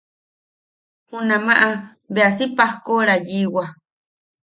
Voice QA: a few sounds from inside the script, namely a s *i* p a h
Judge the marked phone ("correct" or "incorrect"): correct